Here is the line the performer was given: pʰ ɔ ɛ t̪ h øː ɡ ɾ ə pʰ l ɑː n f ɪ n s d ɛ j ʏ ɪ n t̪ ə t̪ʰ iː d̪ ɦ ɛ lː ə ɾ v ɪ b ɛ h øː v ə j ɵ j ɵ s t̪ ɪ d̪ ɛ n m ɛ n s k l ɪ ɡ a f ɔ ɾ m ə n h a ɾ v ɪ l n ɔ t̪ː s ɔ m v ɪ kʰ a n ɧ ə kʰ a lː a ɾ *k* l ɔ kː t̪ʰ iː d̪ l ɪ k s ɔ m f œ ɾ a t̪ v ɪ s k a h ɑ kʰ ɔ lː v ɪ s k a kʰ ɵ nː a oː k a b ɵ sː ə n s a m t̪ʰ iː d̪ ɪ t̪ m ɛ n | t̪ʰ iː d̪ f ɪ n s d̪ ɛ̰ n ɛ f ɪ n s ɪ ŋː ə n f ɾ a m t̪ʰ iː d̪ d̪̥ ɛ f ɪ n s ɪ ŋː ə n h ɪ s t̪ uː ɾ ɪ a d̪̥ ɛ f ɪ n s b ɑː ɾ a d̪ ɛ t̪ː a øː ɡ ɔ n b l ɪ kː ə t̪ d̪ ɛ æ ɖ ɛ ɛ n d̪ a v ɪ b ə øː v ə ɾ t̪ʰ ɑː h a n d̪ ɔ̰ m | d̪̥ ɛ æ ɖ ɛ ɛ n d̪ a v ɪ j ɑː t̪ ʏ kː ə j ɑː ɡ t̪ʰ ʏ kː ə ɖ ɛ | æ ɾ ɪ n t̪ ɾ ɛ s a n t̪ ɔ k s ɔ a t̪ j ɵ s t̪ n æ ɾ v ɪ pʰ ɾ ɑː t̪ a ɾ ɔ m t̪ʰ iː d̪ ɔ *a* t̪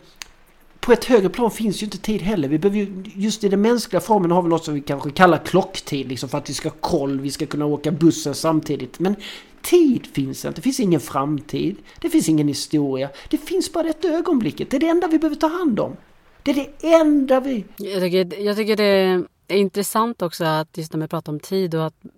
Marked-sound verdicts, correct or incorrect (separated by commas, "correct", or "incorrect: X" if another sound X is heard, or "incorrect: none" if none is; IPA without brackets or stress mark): incorrect: kʰ, correct